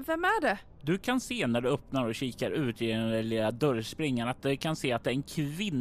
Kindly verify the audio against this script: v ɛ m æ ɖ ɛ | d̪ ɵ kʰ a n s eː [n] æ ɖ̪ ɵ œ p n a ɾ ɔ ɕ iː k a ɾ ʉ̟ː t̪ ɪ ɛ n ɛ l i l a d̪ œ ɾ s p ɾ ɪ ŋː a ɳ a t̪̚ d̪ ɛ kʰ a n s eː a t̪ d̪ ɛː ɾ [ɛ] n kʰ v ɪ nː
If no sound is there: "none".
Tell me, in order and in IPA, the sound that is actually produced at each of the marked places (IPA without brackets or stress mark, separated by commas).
n, ɛ